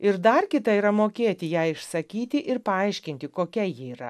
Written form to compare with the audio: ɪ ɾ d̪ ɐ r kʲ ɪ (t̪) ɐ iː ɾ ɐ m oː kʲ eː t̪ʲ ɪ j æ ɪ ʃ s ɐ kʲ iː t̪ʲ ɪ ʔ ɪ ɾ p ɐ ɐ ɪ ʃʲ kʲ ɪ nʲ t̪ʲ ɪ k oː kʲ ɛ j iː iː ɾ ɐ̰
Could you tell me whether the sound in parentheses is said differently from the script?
no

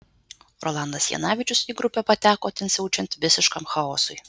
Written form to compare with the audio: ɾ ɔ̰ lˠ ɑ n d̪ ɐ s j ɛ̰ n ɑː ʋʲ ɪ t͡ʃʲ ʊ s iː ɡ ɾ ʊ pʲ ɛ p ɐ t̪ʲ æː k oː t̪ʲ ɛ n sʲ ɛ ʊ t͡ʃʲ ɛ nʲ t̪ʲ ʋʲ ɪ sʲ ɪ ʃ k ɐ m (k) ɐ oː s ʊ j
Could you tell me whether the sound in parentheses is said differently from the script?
yes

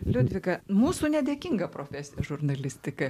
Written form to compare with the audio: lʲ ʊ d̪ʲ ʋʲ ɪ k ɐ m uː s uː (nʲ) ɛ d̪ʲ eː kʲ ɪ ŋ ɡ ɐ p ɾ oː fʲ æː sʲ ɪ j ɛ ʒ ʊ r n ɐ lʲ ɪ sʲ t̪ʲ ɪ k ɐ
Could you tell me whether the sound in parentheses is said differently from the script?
no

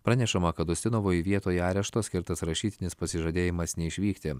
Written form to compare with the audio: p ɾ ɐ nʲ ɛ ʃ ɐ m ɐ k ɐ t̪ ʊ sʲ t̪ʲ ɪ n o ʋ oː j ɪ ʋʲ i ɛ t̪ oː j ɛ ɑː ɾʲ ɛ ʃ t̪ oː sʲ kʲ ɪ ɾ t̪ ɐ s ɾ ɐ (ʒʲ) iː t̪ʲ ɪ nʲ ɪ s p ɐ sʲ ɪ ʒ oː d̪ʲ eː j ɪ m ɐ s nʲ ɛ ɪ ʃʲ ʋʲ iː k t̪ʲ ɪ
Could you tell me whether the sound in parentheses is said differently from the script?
yes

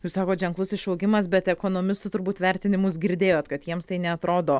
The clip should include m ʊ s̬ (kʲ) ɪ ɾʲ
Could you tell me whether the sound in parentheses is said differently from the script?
yes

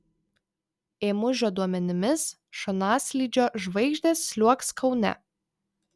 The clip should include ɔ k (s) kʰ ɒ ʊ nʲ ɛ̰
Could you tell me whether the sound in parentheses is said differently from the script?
no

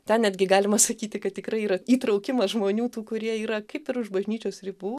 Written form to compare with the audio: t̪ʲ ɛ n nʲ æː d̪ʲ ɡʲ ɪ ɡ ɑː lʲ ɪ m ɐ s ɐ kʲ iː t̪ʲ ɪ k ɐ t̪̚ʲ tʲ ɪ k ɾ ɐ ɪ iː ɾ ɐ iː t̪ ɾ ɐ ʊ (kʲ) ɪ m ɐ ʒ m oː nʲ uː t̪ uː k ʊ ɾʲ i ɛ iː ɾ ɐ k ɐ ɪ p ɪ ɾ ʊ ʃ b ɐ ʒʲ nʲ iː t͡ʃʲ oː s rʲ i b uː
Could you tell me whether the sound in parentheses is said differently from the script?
no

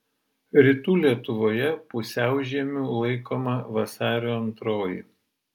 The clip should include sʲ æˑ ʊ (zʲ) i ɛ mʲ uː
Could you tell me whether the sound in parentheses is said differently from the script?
yes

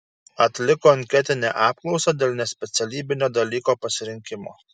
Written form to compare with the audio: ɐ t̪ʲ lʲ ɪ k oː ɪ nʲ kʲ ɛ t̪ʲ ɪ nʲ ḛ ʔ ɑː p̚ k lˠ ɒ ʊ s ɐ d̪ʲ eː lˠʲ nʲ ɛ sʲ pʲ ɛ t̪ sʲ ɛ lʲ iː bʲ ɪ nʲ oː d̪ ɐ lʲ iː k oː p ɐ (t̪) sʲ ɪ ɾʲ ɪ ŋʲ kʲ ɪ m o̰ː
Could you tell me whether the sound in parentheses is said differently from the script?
yes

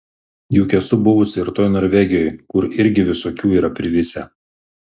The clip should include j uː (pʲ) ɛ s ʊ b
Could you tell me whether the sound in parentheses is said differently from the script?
yes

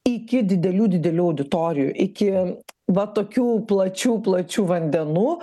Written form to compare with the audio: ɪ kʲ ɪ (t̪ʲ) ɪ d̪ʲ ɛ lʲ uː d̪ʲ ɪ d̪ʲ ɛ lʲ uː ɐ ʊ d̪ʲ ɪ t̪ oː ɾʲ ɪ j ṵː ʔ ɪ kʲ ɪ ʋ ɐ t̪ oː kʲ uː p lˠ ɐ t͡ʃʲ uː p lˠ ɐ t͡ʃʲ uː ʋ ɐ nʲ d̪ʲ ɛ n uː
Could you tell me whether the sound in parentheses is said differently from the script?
yes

